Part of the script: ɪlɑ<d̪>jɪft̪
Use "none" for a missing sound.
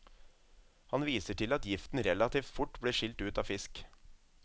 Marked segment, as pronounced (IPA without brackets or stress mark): t̪